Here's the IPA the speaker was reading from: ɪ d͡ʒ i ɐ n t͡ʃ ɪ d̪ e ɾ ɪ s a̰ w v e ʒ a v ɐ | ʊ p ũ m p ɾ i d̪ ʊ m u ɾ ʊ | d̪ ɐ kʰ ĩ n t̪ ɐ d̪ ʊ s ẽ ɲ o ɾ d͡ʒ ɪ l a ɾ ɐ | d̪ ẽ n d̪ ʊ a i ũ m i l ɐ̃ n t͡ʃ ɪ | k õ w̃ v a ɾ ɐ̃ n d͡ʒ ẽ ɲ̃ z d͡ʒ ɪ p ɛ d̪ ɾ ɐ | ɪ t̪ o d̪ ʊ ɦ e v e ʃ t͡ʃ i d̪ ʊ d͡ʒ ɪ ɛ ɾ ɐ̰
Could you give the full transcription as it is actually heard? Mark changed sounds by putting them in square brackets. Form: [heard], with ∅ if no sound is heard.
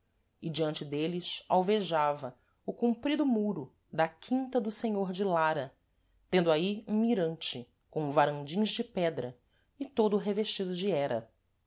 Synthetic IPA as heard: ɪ d͡ʒ i [ɐ̃] n t͡ʃ ɪ d̪ e [l] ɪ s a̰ w v e ʒ a v ɐ | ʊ [k] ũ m p ɾ i d̪ ʊ m u ɾ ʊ | d̪ ɐ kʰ ĩ n t̪ ɐ d̪ ʊ s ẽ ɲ o ɾ d͡ʒ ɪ l a ɾ ɐ | [t̪] ẽ n d̪ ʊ a i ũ m i [ɾ] ɐ̃ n t͡ʃ ɪ | k õ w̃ v a ɾ ɐ̃ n d͡ʒ [ĩ] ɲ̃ z d͡ʒ ɪ p ɛ d̪ ɾ ɐ | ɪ t̪ o d̪ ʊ ɦ e v e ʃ t͡ʃ i d̪ ʊ d͡ʒ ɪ ɛ ɾ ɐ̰